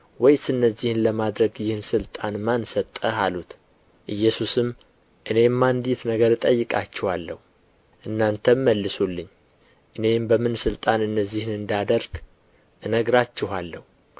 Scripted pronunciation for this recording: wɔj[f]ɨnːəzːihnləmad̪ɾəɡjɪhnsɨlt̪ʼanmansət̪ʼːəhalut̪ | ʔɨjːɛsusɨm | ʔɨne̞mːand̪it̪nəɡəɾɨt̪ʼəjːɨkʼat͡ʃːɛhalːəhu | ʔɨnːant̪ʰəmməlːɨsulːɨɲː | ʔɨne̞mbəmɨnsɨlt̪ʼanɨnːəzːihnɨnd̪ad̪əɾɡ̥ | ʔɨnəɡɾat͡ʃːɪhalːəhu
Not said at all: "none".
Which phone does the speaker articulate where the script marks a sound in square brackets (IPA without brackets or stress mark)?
s